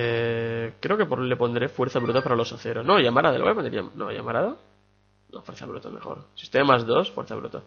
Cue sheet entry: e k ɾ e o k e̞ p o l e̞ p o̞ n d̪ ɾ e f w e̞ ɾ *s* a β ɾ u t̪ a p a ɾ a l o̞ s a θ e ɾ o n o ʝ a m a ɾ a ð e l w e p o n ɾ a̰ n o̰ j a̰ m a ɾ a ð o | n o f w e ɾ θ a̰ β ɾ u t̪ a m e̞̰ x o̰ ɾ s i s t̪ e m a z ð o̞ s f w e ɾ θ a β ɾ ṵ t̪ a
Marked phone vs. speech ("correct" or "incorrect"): incorrect